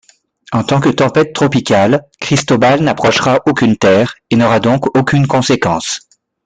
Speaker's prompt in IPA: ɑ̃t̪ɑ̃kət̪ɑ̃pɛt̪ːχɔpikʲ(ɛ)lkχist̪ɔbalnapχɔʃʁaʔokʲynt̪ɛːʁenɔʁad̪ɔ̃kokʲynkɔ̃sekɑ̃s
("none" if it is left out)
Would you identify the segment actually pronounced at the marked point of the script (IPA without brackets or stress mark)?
a